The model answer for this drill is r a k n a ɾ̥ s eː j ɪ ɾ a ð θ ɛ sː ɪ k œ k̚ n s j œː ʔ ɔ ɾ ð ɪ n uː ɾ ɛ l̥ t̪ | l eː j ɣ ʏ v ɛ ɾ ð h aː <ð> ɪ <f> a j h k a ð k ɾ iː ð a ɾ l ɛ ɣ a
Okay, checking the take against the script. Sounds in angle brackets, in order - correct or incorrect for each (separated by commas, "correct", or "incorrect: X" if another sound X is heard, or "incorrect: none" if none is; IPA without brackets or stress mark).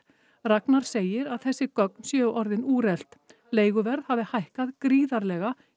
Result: incorrect: v, incorrect: h